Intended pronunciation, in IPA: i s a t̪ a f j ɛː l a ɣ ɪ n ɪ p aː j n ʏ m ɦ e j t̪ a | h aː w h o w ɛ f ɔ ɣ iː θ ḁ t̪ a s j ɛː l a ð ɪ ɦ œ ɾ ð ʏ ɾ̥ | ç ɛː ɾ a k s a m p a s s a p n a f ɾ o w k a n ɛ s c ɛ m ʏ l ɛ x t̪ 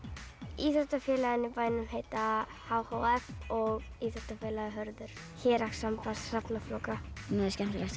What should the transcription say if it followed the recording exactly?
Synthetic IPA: i θ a t̪ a f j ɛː l a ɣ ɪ n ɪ p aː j n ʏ m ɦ e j t̪ a | h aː w h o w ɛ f ɔ ɣ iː θ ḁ t̪ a f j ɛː l a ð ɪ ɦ œ ɾ ð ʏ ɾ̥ | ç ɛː ɾ a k s a m p a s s a p n a f l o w k a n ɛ s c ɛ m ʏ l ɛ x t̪